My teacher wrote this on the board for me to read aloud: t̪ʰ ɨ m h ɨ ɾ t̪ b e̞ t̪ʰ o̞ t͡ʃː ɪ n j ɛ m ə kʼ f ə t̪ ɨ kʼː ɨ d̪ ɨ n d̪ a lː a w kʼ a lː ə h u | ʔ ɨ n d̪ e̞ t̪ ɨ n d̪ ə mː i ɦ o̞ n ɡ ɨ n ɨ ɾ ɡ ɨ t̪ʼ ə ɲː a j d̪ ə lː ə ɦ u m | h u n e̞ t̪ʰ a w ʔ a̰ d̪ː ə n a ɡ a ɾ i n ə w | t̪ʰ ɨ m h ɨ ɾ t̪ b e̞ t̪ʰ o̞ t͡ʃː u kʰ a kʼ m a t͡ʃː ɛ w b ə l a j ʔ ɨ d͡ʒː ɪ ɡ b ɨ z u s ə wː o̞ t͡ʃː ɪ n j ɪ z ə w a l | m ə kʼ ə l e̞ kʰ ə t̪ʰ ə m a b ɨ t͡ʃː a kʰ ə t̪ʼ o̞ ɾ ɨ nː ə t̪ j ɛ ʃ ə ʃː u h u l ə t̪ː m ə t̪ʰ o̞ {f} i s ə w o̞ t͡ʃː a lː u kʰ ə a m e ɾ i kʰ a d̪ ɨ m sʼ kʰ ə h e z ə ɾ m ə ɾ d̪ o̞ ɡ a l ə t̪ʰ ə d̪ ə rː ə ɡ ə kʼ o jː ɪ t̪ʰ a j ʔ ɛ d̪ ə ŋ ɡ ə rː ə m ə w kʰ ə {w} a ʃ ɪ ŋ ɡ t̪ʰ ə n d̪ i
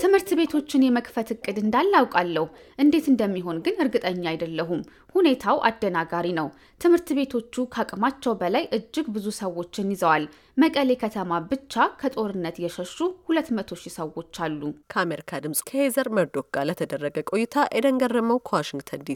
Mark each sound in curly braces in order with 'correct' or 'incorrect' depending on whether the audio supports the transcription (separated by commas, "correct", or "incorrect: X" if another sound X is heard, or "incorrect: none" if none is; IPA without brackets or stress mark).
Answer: incorrect: ʃ, correct